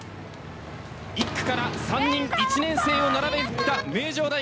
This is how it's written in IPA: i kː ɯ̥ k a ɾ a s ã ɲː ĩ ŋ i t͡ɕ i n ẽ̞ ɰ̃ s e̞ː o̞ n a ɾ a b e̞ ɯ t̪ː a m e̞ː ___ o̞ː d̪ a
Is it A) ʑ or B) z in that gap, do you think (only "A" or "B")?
A